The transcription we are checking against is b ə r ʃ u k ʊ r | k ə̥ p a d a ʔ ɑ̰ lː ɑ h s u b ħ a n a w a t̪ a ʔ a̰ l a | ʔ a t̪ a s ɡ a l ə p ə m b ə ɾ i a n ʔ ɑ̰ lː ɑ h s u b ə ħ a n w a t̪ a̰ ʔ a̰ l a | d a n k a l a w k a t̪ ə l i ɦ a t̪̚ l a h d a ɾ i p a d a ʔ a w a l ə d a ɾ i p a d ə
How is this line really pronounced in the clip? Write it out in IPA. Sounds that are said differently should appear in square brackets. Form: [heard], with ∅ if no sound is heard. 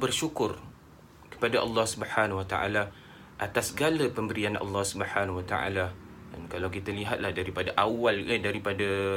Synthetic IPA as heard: b ə r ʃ u k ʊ r | k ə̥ p a d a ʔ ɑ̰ lː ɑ h s u b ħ a n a w a t̪ a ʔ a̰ l a | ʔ a t̪ a s ɡ a l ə p ə m b ə ɾ i a n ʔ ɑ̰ lː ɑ h s u b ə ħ a n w a t̪ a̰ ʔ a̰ l a | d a n k a l a w k [i] t̪ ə l i ɦ a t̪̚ l a h d a ɾ i p a d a ʔ a w a l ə d a ɾ i p a d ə